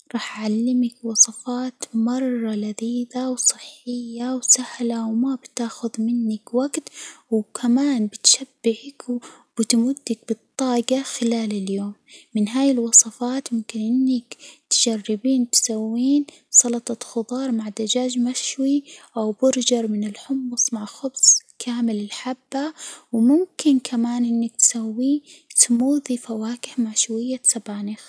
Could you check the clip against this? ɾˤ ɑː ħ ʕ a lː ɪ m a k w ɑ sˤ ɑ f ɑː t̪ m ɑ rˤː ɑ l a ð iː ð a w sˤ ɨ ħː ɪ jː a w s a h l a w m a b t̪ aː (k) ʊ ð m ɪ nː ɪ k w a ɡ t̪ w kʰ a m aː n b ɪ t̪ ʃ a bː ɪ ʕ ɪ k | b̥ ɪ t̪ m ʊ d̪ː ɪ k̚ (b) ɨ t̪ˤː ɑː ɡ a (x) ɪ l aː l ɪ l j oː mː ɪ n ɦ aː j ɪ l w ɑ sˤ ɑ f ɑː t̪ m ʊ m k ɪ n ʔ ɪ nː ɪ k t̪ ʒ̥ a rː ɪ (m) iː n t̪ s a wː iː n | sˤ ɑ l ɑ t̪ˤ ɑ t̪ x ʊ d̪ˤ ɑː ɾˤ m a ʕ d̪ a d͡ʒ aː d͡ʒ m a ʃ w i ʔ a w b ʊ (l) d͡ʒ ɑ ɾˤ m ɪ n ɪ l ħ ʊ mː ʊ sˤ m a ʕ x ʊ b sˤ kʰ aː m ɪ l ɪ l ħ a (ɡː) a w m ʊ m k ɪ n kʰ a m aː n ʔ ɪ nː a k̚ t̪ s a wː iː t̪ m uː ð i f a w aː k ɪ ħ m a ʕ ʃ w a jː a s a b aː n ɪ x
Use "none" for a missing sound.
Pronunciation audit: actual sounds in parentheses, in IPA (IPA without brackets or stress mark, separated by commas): x, b, x, b, ɾ, bː